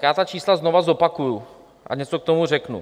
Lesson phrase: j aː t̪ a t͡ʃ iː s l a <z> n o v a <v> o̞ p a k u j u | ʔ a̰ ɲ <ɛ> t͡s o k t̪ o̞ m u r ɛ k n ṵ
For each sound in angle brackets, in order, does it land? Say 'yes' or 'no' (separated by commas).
yes, no, yes